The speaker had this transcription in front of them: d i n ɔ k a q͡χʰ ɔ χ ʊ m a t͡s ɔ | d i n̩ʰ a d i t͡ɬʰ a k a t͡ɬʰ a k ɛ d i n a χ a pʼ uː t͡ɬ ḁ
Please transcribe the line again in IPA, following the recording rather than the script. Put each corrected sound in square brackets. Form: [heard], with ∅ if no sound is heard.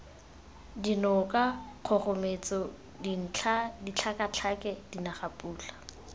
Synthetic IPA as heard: d i n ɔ k a q͡χʰ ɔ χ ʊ m [e] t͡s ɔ | d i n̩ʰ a d i t͡ɬʰ a k a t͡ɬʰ a k ɛ d i n a χ a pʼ uː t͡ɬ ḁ